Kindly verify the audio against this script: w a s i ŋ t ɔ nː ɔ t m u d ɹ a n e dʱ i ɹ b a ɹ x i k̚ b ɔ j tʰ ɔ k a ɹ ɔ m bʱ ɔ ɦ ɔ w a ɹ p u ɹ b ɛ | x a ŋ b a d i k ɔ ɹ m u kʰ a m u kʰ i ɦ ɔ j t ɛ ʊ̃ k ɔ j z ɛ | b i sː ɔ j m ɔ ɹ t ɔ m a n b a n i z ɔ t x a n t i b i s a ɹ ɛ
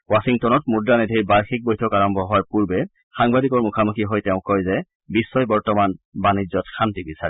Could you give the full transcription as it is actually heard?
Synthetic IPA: w a s i ŋ t ɔ n ɔ t m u d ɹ a n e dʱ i ɹ b a ɹ x i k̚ b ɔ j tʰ ɔ k a ɹ ɔ m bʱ ɔ ɦ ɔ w a ɹ p u ɹ b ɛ | x a ŋ b a d i k ɔ ɹ m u kʰ a m u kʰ i ɦ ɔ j t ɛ ʊ̃ k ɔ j z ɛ | b i sː ɔ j b ɔ ɹ t ɔ m a n b a n i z ɔ t x a n t i b i s a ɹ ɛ

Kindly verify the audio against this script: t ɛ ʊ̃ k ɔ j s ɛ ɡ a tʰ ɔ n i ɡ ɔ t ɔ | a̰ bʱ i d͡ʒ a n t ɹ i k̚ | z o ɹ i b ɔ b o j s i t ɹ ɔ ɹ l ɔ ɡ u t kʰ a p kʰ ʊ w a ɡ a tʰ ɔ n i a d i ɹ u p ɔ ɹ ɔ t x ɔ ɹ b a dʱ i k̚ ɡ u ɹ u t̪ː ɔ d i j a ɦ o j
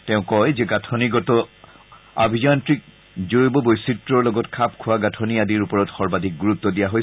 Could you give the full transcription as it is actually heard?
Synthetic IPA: t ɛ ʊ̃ k ɔ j z ɛ ɡ a tʰ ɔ n i ɡ ɔ t ɔ | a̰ bʱ i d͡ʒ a n t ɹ i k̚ | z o ɹ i b ɔ b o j s i t ɹ ɔ ɹ l ɔ ɡ ɔ t kʰ a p kʰ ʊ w a ɡ a tʰ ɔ n i a d i ɹ u p ɔ ɹ ɔ t x ɔ ɹ b a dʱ i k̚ ɡ u ɹ u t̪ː ɔ d i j a ɦ o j

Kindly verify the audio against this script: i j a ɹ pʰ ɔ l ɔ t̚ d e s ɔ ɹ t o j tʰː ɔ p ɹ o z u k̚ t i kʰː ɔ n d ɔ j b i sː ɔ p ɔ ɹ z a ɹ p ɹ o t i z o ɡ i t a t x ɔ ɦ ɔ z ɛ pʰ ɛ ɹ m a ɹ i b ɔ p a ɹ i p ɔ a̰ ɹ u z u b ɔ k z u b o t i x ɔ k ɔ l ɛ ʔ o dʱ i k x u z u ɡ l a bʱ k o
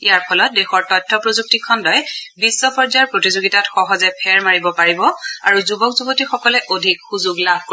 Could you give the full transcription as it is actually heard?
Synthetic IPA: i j a ɹ pʰ ɔ l ɔ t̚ d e x ɔ ɹ t ɔ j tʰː ɔ p ɹ o z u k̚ t i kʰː ɔ n d ɔ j b i sː ɔ p ɔ ɹ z a ɹ p ɹ o t i z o ɡ i t a t x ɔ ɦ ɔ z ɛ pʰ ɛ ɹ m a ɹ i b ɔ p a ɹ i b ɔ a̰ ɹ u z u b ɔ k z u b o t i x ɔ k ɔ l ɛ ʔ o dʱ i k x u z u ɡ l a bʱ k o

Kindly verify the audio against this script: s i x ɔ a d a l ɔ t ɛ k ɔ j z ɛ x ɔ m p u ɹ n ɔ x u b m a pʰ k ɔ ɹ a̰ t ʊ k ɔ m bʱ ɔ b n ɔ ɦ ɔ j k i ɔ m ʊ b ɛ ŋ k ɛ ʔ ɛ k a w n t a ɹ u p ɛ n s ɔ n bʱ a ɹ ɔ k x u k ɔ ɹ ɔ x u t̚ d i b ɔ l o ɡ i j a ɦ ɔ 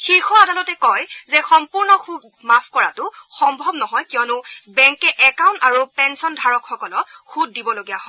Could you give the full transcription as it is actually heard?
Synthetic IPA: x i x ɔ a d a l ɔ t ɛ k ɔ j z ɛ x ɔ m p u ɹ n ɔ x u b m a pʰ k ɔ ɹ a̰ t ʊ x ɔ m bʱ ɔ b n ɔ ɦ ɔ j k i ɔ n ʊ b ɛ ŋ k ɛ ʔ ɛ k a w n t a ɹ u p ɛ n s ɔ n dʱ a ɹ ɔ k x ɔ k ɔ l ɔ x u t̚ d i b ɔ l o ɡ i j a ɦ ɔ

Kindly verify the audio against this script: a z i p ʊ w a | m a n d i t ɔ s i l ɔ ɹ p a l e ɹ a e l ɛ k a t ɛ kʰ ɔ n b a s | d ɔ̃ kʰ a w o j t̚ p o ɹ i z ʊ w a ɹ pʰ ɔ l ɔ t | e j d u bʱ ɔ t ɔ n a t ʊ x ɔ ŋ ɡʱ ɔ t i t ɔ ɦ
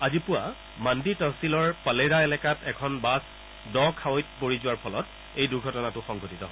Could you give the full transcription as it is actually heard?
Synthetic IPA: a z i p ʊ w a | m a n d i t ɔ s i l ɔ ɹ p a l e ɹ a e l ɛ k a t ɛ kʰ ɔ n b a s | d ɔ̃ kʰ a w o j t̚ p o ɹ i z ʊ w a ɹ pʰ ɔ l ɔ t | e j d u ɡʱ ɔ t ɔ n a t ʊ x ɔ ŋ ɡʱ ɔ t i t ɔ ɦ

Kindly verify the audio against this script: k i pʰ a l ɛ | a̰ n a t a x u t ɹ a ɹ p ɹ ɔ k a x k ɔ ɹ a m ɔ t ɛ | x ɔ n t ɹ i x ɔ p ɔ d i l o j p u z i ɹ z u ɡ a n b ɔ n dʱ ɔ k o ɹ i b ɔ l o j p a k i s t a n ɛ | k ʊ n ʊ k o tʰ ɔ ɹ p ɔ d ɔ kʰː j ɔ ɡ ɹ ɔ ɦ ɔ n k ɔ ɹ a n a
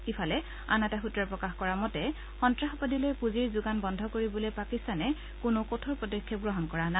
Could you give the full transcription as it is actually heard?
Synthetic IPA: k i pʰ a l ɛ | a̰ n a t a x u t ɹ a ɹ p ɹ ɔ k a x k ɔ ɹ a m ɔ t ɛ | x ɔ n t ɹ a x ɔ p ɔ d i l o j p u z i ɹ z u ɡ a n b ɔ n dʱ ɔ k o ɹ i b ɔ l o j p a k i s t a n ɛ | k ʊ n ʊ k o tʰ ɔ ɹ p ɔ d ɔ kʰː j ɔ ɡ ɹ ɔ ɦ ɔ n k ɔ ɹ a n a

